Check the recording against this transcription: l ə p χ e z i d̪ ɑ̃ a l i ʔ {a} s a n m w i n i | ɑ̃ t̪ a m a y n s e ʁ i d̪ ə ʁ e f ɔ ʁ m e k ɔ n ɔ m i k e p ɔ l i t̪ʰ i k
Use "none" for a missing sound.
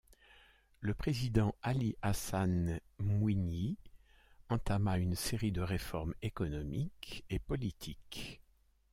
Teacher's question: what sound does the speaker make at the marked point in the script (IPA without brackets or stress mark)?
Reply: a